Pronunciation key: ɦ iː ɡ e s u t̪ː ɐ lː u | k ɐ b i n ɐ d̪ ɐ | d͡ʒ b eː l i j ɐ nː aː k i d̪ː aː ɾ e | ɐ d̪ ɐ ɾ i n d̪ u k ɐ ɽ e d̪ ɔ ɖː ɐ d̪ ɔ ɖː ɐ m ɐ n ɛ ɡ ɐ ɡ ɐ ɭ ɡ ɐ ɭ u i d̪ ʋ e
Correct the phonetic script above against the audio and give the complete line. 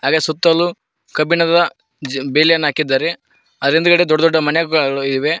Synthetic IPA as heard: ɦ aː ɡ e s u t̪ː ɐ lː u | k ɐ b i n ɐ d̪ ɐ | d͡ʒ b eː l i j ɐ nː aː k i d̪ː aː ɾ e | ɐ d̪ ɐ ɾ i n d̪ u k ɐ ɽ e d̪ ɔ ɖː ɐ d̪ ɔ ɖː ɐ m ɐ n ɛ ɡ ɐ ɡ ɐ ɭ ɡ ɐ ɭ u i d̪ ʋ e